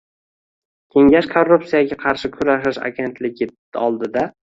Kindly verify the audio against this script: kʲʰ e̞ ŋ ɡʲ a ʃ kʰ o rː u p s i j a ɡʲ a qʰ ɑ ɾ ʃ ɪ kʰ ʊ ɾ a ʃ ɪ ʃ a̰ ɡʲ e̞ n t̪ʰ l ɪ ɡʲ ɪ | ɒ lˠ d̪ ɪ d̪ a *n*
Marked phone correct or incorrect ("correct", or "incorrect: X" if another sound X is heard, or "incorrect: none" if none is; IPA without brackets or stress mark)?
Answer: incorrect: none